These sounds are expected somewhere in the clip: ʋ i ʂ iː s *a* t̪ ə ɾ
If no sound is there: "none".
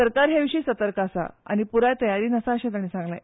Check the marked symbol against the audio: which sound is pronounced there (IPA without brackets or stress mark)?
ə